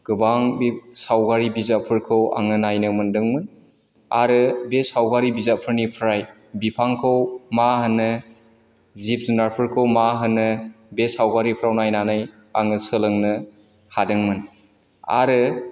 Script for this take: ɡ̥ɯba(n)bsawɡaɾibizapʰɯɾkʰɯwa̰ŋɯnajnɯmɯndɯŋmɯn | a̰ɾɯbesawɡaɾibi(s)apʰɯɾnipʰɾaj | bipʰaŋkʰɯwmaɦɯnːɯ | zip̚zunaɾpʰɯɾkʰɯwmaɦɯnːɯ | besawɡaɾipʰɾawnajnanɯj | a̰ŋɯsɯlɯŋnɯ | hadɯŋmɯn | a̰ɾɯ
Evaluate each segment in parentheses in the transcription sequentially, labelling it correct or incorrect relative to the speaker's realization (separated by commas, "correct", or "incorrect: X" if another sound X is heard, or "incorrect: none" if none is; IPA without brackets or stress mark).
incorrect: ŋ, incorrect: z